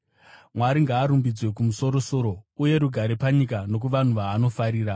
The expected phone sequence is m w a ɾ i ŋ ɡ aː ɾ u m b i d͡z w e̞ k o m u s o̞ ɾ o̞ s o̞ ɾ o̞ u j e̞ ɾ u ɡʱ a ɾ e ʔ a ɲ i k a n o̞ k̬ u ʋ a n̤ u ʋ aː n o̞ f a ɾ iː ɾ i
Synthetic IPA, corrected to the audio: m w a ɾ i ŋ ɡ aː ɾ u m b i d͡z w e̞ k u m u s o̞ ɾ o̞ s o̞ ɾ o̞ u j e̞ ɾ u ɡʱ a ɾ e p a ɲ i k a n o̞ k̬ u ʋ a n̤ u ʋ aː n o̞ f a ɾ iː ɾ a